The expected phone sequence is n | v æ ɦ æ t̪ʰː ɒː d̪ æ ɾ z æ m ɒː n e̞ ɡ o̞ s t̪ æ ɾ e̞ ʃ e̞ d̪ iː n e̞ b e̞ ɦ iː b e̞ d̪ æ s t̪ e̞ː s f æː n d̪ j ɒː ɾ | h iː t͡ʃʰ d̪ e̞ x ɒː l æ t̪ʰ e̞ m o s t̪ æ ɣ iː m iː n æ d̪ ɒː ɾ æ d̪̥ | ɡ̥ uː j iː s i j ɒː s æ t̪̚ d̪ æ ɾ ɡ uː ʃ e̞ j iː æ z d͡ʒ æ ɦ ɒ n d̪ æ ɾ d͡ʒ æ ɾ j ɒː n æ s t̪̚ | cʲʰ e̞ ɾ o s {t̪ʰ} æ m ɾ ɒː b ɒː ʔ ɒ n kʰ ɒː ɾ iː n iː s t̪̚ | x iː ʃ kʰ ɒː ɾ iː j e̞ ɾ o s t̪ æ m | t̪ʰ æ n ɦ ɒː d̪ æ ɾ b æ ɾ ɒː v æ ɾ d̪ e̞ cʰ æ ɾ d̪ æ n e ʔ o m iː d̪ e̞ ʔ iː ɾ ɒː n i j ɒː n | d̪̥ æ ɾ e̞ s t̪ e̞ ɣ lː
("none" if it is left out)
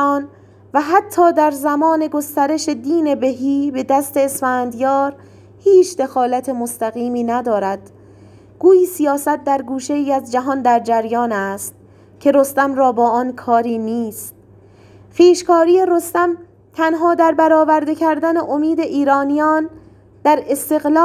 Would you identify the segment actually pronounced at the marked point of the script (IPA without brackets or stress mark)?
t̪